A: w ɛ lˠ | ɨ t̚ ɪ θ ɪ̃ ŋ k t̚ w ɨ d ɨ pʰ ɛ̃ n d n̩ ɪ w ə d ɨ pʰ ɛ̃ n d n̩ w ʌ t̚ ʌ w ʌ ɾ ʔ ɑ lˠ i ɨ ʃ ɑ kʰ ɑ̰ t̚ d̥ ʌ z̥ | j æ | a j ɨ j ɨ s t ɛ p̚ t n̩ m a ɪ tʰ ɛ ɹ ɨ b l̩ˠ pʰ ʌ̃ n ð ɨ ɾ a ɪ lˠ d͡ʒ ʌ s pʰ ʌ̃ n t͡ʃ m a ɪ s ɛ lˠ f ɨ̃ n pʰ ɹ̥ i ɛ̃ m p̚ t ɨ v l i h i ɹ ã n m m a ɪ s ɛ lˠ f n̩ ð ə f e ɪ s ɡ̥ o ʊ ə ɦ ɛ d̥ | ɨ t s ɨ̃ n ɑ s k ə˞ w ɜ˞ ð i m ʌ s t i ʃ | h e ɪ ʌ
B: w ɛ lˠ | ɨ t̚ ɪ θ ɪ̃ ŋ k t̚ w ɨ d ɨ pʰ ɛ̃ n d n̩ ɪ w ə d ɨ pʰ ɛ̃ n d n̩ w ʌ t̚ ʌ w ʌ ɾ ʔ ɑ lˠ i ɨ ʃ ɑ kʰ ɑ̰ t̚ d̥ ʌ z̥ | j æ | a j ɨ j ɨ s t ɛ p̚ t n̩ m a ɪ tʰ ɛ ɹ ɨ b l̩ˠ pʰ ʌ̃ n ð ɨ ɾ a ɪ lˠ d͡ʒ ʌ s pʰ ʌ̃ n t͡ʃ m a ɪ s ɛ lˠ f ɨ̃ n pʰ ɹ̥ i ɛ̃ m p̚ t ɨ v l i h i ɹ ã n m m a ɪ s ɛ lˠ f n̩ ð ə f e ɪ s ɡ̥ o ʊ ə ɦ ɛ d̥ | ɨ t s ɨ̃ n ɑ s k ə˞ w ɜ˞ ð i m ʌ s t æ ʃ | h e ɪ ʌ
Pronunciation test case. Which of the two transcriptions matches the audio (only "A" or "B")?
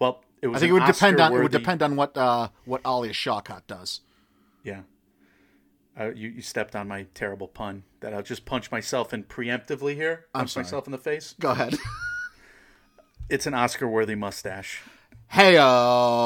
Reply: B